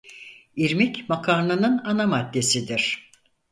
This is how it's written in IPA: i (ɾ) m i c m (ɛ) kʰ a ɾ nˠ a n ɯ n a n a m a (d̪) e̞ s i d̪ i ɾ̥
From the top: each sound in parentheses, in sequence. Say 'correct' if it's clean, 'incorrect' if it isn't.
correct, incorrect, incorrect

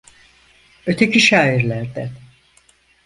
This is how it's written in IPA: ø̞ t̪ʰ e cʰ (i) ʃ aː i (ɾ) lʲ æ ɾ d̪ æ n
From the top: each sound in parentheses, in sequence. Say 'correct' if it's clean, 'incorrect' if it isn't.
correct, correct

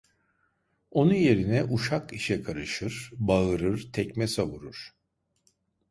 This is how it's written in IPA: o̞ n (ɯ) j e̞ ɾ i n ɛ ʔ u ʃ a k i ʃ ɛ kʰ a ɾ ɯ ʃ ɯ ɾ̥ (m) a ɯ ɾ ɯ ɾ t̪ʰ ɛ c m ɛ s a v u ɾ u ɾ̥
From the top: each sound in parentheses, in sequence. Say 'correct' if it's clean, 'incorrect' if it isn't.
incorrect, incorrect

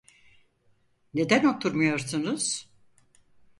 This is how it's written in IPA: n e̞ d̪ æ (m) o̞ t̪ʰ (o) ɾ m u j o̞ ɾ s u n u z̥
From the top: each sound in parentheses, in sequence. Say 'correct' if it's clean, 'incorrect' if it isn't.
incorrect, incorrect

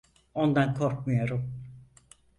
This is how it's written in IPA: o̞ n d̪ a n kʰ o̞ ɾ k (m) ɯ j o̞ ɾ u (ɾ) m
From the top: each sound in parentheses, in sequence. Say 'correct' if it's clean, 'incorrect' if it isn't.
correct, incorrect

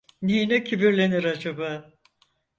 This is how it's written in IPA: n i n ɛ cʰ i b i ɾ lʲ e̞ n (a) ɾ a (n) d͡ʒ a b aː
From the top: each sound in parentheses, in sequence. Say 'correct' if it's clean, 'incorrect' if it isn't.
incorrect, incorrect

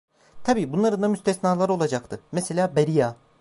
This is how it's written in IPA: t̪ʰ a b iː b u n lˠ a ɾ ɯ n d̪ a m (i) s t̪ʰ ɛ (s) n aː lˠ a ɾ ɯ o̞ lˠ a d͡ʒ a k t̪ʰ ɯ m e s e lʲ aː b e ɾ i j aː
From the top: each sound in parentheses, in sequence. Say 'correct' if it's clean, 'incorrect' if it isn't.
incorrect, correct

